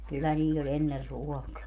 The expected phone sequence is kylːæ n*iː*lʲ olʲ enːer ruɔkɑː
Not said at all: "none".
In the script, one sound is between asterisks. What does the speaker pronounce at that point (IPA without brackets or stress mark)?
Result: iː